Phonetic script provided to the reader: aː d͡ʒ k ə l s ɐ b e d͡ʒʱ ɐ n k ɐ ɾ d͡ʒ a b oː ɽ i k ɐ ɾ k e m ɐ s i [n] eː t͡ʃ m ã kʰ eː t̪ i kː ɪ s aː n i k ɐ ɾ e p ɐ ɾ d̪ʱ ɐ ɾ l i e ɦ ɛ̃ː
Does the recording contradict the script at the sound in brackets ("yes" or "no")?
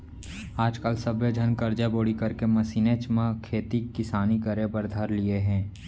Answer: no